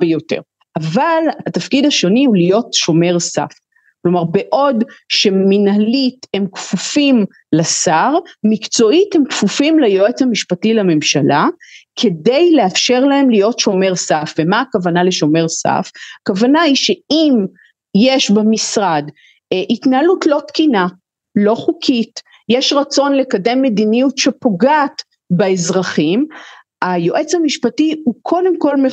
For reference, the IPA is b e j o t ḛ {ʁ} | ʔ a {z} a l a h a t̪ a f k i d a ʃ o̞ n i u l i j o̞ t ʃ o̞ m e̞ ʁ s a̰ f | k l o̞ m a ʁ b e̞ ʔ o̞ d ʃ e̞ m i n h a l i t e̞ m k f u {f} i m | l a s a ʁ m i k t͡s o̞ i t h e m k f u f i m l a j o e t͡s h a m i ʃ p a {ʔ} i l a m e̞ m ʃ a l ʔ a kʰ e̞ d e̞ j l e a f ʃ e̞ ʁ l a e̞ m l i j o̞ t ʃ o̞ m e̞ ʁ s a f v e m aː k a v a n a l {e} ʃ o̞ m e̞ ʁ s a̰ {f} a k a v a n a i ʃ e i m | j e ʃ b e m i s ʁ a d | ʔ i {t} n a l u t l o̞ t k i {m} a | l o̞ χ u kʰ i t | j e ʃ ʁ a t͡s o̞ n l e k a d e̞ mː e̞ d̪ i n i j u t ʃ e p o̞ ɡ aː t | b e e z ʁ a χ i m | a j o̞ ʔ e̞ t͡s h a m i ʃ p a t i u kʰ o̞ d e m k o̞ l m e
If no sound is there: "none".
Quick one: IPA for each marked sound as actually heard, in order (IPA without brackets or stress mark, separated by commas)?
ʁ, v, f, t, e, f, t, n